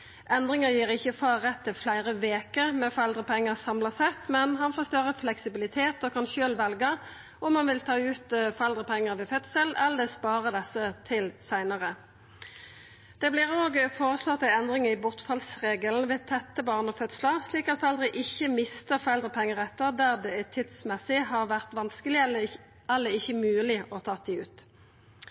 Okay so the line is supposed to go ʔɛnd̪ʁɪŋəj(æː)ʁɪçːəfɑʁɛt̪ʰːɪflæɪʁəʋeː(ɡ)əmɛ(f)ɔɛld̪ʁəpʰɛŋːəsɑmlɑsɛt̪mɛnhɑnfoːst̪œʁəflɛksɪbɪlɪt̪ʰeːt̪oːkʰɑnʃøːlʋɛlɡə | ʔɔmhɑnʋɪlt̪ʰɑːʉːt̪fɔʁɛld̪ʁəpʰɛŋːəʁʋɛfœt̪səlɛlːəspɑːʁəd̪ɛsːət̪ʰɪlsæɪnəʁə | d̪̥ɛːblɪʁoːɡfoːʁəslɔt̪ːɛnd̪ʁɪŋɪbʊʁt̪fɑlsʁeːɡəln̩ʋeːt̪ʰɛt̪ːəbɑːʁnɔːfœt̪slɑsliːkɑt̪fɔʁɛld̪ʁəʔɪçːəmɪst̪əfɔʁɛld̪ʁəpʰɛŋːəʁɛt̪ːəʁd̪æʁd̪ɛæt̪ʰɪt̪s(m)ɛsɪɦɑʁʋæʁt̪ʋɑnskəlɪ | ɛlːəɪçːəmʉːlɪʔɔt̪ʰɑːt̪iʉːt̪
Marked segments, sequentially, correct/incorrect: incorrect, incorrect, correct, correct

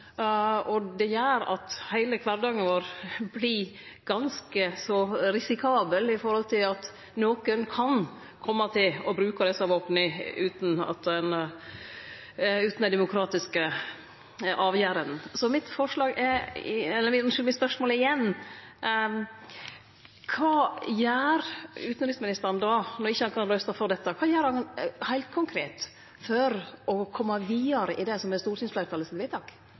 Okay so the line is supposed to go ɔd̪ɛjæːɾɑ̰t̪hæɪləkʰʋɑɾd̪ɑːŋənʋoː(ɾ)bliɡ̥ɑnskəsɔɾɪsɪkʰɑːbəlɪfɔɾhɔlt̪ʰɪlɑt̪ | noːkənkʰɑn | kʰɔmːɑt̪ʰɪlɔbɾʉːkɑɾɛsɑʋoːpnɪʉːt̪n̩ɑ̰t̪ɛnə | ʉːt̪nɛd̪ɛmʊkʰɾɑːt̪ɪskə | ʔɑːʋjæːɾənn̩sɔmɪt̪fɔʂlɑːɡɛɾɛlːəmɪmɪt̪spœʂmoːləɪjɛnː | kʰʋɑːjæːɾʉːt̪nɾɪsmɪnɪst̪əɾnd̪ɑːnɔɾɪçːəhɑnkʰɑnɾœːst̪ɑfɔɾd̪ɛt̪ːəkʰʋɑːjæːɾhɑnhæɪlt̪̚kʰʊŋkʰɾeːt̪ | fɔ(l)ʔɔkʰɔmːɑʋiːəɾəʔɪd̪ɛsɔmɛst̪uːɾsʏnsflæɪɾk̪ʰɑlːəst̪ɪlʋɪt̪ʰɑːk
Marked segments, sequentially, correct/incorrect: correct, incorrect

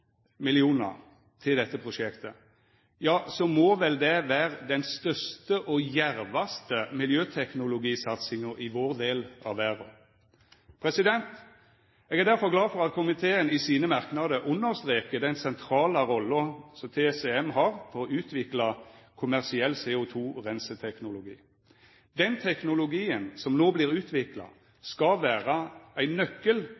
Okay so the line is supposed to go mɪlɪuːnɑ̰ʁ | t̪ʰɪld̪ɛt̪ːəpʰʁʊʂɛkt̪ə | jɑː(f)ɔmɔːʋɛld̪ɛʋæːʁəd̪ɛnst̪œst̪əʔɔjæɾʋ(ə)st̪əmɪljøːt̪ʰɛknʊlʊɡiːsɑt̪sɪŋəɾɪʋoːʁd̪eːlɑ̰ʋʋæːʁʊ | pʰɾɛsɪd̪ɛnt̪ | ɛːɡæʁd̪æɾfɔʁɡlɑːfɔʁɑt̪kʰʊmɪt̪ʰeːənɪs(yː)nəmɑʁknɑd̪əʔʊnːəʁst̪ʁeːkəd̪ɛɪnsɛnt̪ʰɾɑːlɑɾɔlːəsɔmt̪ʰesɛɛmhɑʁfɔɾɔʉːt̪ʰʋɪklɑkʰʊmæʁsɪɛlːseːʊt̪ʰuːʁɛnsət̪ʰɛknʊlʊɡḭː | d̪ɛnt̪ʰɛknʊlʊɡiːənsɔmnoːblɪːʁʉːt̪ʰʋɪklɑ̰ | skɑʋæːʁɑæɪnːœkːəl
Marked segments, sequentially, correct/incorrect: incorrect, incorrect, incorrect

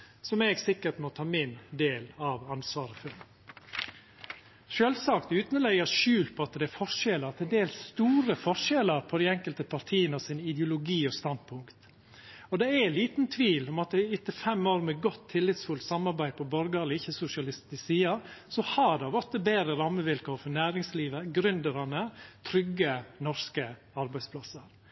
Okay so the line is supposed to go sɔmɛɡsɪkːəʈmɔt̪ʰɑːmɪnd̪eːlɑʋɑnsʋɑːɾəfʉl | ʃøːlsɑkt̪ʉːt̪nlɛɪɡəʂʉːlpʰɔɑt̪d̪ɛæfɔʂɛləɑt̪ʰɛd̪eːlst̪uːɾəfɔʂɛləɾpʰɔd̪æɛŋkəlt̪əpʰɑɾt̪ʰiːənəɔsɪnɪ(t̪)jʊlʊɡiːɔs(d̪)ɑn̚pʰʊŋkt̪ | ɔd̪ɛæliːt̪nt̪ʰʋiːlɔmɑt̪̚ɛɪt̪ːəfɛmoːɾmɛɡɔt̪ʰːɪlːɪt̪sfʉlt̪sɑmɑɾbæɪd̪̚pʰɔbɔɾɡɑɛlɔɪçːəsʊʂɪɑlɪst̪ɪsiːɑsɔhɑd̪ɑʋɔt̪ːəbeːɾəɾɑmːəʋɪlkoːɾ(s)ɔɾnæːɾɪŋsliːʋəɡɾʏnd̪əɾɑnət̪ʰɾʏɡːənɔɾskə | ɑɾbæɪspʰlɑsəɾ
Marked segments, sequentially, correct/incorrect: incorrect, incorrect, incorrect

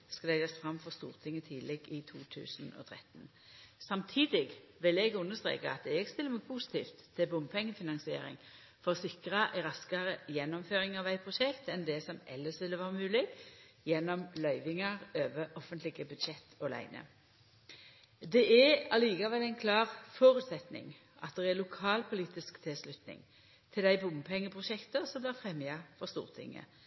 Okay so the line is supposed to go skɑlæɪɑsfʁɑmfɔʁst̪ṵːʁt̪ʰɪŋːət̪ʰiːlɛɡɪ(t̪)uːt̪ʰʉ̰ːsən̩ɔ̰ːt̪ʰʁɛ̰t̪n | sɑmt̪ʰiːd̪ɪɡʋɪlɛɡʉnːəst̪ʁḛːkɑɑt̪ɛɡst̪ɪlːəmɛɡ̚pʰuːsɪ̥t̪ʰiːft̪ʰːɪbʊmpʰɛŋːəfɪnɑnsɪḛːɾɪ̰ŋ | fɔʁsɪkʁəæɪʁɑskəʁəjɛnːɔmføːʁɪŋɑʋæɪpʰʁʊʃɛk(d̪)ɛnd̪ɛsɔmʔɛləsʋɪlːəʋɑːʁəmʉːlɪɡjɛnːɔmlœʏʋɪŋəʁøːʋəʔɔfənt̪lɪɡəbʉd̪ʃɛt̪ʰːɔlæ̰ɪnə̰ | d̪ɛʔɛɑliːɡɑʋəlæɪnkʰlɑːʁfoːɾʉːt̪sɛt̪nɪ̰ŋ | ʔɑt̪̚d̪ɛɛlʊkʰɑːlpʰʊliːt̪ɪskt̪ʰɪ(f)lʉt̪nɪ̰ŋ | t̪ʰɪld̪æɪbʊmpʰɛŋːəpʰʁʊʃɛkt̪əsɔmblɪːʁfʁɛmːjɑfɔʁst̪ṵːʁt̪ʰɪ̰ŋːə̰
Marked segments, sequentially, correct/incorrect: incorrect, incorrect, incorrect

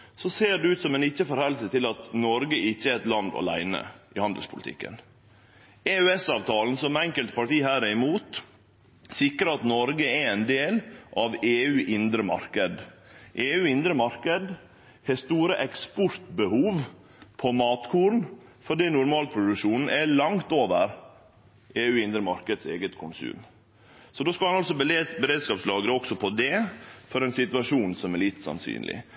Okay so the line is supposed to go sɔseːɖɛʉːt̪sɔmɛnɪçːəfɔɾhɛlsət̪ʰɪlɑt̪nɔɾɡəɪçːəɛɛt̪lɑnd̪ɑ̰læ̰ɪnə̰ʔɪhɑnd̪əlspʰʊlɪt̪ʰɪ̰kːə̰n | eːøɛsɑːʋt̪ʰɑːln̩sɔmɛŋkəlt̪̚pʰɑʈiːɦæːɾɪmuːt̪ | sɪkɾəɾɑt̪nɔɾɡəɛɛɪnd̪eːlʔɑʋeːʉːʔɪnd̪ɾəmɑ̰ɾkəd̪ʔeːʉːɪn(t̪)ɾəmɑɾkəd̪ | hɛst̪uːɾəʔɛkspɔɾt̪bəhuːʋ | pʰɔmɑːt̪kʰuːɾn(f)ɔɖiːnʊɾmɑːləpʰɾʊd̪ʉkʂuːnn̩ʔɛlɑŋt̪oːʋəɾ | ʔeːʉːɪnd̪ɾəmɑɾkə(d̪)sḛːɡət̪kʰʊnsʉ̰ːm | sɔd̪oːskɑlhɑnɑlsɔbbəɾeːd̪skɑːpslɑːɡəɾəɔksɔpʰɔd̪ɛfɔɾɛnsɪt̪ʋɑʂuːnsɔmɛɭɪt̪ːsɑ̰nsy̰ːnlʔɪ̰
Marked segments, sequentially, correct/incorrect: incorrect, correct, correct

